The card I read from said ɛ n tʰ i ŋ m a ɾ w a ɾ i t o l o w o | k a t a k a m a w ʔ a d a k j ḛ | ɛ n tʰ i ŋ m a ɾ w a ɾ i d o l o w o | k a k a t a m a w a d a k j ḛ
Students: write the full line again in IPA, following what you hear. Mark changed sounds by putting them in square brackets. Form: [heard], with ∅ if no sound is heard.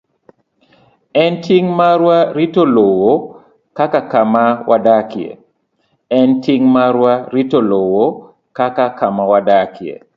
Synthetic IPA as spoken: ɛ n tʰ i ŋ m a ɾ w a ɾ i t o l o w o | k a [k] a k a m a w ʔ a d a k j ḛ | ɛ n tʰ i ŋ m a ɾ w a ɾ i [t] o l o w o | k a k a [k] a m a w a d a k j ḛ